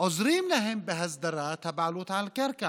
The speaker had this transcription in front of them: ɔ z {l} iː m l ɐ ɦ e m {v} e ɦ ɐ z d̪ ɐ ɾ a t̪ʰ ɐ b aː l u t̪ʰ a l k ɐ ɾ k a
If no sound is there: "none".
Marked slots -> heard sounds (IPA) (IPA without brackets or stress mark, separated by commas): ɾ, b